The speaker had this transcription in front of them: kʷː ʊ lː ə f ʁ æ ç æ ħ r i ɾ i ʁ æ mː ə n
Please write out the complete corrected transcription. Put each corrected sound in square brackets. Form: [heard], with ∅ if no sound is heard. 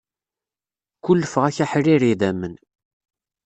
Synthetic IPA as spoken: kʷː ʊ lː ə f ʁ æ ç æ ħ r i ɾ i [ð] æ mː ə n